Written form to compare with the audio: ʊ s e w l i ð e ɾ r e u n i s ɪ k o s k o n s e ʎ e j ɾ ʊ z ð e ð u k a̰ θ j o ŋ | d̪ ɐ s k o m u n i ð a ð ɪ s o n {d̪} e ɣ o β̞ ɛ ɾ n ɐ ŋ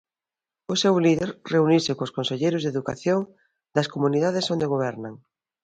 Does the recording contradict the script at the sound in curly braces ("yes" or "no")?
no